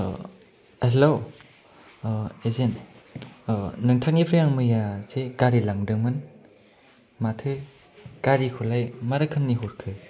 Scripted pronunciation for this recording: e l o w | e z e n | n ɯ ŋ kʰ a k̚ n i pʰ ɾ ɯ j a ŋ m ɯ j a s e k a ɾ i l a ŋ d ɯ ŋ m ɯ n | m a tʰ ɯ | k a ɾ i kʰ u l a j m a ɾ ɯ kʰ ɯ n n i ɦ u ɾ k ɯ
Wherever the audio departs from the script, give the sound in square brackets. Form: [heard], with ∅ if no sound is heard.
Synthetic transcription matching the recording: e l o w | e z e n | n ɯ ŋ [tʰ] a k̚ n i pʰ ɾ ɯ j a ŋ m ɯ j a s e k a ɾ i l a ŋ d ɯ ŋ m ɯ n | m a tʰ ɯ | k a ɾ i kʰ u l a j m a ɾ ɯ kʰ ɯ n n i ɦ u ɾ [kʰ] ɯ